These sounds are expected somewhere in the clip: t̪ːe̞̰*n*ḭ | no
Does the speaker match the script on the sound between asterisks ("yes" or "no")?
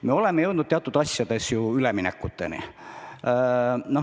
yes